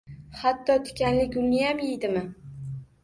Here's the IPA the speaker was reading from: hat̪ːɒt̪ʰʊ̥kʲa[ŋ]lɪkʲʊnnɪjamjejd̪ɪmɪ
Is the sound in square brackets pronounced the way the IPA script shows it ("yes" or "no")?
no